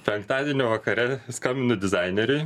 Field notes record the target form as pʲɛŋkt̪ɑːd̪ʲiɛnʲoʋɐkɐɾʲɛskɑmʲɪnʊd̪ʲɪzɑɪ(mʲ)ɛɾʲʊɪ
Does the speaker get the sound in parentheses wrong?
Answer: yes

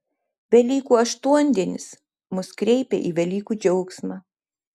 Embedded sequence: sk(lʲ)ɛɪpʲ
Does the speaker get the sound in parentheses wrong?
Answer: yes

